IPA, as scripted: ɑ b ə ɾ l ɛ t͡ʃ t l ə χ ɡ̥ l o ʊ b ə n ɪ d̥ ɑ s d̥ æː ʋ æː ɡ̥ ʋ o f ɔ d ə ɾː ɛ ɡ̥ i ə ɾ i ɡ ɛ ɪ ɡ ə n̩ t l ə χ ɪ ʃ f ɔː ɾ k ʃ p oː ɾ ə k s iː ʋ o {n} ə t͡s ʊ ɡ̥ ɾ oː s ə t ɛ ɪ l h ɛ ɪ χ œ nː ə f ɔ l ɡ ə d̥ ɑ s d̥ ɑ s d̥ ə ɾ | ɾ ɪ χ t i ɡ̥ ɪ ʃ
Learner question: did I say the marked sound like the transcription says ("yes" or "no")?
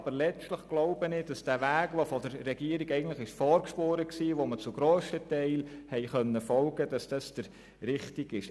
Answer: no